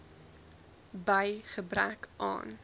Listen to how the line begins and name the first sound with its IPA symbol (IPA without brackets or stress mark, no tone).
b